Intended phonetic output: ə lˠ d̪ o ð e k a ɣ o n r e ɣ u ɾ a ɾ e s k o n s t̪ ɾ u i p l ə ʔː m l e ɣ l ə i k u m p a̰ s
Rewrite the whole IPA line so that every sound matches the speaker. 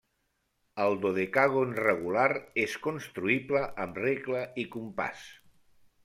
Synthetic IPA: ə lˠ d̪ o ð e k a ɣ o n r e ɣ u l a ɾ e s k o n s t̪ ɾ u i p l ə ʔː m r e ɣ l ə i k u m p a̰ s